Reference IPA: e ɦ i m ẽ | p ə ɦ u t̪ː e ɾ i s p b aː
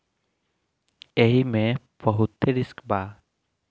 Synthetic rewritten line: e ɦ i m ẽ | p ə ɦ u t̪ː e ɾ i s k b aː